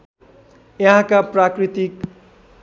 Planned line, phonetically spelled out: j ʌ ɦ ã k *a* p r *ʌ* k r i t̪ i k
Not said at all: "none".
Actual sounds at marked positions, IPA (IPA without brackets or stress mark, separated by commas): a, a